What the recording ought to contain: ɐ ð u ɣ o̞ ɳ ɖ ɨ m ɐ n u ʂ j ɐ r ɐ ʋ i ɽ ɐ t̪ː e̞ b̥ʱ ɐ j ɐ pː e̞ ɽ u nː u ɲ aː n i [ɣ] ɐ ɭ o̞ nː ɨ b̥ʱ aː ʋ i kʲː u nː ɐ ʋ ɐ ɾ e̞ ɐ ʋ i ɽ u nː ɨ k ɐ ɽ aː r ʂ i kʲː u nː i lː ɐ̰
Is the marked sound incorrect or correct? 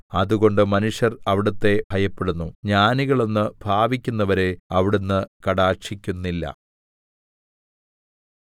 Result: correct